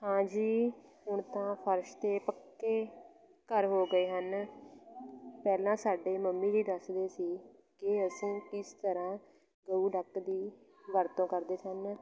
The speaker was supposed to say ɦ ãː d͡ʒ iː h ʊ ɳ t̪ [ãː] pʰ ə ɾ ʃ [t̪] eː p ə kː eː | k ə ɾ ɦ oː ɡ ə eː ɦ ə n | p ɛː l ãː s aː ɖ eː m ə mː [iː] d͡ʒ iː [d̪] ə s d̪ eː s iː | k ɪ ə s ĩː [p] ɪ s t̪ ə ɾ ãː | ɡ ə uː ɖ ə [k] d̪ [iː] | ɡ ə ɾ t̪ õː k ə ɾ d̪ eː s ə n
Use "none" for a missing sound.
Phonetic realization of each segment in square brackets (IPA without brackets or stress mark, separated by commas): ãː, t̪, iː, d̪, k, k, iː